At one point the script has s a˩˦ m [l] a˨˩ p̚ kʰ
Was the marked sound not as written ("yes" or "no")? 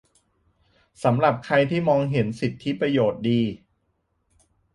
yes